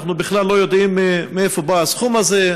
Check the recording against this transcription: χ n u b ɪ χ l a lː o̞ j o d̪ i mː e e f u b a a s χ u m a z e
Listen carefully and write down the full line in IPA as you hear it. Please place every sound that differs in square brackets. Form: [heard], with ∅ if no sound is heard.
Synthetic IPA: χ n u b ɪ χ l a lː o̞ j o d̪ i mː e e f [o] b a a s χ u m a z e